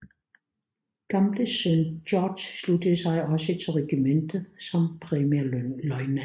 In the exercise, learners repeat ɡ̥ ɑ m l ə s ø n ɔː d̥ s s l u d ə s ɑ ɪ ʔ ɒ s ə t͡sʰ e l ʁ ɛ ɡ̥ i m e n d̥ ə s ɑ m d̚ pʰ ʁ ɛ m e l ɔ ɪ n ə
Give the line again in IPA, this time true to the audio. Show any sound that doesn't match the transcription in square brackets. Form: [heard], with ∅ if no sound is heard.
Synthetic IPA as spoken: ɡ̥ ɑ m l ə s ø n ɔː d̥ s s l u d ə s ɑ ɪ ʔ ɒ s ə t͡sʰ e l ʁ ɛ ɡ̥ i m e n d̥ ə s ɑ m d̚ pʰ ʁ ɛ m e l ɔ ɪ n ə